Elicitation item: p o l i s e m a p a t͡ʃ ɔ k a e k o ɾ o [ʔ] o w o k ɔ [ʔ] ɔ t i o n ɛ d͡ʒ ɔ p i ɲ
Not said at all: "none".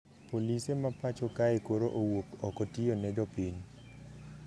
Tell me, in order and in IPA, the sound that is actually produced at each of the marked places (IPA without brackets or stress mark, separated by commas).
ʔ, k